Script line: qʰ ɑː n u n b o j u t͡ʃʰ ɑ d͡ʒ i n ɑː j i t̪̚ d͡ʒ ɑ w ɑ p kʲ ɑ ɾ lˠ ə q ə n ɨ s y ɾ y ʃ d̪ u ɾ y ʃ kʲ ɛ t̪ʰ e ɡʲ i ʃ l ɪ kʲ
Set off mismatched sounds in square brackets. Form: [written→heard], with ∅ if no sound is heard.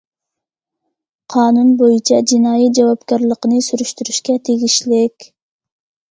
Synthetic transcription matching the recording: qʰ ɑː n u n b o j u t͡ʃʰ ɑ d͡ʒ i n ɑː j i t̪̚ d͡ʒ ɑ w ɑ p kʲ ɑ ɾ lˠ ə q ə n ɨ s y ɾ y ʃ [d̪→t̪] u ɾ y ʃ kʲ ɛ t̪ʰ e ɡʲ i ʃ l ɪ kʲ

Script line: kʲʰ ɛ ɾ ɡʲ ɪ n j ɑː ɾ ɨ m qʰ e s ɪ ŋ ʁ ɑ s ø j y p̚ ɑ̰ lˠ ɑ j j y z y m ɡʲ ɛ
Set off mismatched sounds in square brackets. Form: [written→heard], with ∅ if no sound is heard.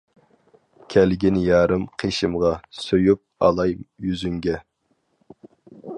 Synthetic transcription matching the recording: kʲʰ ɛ [ɾ→l] ɡʲ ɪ n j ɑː ɾ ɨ m qʰ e [s→ʃ] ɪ [ŋ→m] ʁ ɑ s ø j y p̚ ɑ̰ lˠ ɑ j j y z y [m→ŋ] ɡʲ ɛ

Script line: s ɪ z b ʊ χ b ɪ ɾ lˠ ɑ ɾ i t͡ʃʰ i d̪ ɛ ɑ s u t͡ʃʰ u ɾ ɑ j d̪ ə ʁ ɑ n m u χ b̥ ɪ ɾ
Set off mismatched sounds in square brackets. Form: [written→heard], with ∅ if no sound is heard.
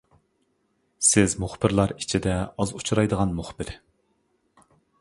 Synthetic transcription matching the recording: s ɪ z [b→m] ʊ χ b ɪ ɾ lˠ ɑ ɾ i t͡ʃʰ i d̪ ɛ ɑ [s→z] u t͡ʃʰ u ɾ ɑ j d̪ ə ʁ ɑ n m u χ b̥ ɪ ɾ

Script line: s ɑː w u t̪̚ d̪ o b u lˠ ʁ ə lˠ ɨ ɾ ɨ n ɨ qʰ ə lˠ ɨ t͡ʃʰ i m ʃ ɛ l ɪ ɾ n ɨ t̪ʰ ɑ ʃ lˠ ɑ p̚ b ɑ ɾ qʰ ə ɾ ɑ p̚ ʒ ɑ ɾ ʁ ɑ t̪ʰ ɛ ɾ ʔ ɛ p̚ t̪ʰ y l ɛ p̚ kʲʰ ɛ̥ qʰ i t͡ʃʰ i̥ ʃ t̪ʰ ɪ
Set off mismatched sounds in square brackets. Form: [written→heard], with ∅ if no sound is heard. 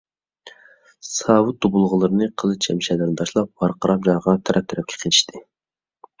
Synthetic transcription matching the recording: s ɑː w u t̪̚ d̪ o b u lˠ ʁ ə lˠ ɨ ɾ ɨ n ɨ qʰ ə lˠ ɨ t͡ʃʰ [i→ɛ] m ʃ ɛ l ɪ ɾ n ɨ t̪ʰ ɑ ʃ lˠ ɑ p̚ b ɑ ɾ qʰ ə ɾ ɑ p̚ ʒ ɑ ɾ ʁ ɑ t̪ʰ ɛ ɾ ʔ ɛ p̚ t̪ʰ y [l→ɾ] ɛ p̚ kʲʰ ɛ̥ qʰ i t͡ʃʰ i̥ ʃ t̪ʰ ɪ

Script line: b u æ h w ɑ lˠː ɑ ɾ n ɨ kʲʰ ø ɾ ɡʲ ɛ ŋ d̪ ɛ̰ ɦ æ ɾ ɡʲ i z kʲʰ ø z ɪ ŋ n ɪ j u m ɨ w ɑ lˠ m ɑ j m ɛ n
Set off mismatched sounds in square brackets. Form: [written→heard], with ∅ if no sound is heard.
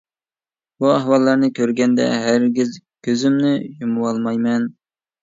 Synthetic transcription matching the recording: b u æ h w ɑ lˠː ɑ ɾ n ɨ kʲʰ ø ɾ ɡʲ ɛ [ŋ→n] d̪ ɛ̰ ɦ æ ɾ ɡʲ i z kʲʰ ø z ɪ [ŋ→m] n ɪ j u m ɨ w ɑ lˠ m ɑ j m ɛ n

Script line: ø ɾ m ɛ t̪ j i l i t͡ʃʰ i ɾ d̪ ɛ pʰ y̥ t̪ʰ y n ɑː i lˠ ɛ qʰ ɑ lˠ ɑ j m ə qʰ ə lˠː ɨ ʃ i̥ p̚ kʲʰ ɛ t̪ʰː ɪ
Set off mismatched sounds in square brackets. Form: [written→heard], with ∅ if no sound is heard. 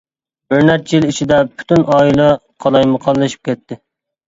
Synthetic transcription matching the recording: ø ɾ [m→n] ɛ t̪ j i l i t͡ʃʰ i [ɾ→∅] d̪ ɛ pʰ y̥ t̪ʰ y n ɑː i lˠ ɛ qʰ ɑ lˠ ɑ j m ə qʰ [ə→ɑ] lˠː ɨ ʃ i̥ p̚ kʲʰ ɛ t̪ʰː ɪ

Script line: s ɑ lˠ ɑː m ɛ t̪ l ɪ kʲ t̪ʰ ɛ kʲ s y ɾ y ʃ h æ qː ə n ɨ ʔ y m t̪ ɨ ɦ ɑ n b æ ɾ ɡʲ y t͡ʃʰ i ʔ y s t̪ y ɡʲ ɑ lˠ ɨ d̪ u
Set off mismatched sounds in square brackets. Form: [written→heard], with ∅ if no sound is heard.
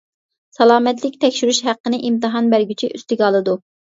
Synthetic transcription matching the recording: s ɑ lˠ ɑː m ɛ t̪ l ɪ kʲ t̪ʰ ɛ kʲ [s→ʃ] y ɾ y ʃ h æ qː ə n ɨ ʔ [y→i] m t̪ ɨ ɦ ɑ n b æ ɾ ɡʲ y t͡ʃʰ i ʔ y s t̪ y ɡʲ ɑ lˠ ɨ d̪ u

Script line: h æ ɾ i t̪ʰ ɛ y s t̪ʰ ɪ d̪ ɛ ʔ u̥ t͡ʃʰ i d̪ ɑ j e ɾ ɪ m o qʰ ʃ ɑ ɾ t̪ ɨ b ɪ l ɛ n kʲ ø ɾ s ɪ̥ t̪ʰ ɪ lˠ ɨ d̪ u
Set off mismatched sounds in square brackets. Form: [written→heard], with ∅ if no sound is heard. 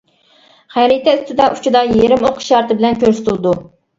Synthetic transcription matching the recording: [h→χ] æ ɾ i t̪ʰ ɛ y s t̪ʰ ɪ d̪ ɛ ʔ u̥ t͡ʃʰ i d̪ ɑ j e ɾ ɪ m o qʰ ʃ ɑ ɾ t̪ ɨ b ɪ l ɛ n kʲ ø ɾ s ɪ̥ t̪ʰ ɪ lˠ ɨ d̪ u

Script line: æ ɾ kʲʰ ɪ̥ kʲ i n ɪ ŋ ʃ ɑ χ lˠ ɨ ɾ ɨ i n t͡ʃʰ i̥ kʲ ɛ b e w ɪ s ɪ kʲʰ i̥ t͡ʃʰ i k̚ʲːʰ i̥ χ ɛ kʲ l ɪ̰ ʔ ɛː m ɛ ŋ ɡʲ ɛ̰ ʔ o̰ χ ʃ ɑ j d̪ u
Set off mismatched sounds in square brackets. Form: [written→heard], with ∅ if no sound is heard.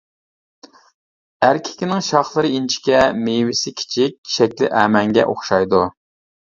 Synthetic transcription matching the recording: æ ɾ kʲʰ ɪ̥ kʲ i n ɪ ŋ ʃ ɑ χ lˠ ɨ ɾ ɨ i n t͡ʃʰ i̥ kʲ ɛ [b→m] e w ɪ s ɪ kʲʰ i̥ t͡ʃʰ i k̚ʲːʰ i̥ [χ→ʃ] ɛ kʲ l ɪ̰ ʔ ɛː m ɛ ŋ ɡʲ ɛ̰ ʔ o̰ χ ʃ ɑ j d̪ u

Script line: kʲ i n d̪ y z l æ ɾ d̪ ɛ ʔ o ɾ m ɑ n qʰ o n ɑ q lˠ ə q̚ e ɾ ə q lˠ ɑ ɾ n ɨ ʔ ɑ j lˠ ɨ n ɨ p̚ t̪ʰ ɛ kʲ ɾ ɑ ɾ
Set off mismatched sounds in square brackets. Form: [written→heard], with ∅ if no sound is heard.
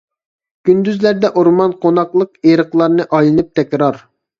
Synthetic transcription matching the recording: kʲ [i→y] n d̪ y z l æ ɾ d̪ ɛ ʔ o ɾ m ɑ n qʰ o n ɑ q lˠ ə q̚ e ɾ ə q lˠ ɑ ɾ n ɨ ʔ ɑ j lˠ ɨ n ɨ p̚ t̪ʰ ɛ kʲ ɾ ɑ ɾ

